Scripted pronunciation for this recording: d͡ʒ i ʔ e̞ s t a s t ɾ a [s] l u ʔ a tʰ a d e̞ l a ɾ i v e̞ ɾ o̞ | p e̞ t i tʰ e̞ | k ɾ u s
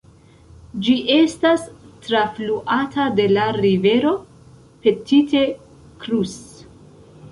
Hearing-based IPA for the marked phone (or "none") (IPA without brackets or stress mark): f